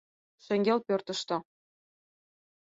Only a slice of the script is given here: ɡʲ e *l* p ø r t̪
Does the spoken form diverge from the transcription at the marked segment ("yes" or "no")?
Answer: no